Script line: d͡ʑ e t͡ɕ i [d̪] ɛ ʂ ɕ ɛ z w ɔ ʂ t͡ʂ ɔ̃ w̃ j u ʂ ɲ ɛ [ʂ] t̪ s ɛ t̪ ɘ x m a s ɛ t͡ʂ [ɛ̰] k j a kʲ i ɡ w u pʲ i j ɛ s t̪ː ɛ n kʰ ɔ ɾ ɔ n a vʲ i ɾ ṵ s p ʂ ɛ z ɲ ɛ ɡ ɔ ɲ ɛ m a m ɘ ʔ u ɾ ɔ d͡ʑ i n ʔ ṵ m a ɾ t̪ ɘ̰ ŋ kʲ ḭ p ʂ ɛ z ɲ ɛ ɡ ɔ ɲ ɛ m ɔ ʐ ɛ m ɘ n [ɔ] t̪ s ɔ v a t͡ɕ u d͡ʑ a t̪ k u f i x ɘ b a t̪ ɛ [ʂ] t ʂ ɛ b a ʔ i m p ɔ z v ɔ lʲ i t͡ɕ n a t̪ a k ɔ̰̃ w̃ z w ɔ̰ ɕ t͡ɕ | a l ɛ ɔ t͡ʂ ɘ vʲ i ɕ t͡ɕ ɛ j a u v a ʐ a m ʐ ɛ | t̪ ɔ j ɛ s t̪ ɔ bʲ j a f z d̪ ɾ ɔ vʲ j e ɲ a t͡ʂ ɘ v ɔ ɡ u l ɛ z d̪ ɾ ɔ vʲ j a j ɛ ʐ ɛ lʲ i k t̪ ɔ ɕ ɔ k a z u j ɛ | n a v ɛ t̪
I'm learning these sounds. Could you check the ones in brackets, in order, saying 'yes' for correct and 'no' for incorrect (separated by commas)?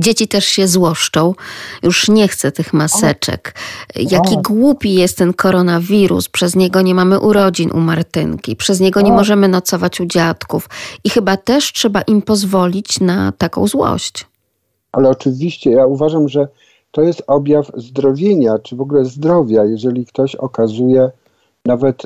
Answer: no, no, yes, yes, yes